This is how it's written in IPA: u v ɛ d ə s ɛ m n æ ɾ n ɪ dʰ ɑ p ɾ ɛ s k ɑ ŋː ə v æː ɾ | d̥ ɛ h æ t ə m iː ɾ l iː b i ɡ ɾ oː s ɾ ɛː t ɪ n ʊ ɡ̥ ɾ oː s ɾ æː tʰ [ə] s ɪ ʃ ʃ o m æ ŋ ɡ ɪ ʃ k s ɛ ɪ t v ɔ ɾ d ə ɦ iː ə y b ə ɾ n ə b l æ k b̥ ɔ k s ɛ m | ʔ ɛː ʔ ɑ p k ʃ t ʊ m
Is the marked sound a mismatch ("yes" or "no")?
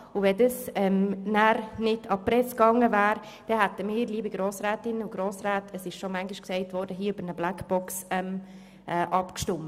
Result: no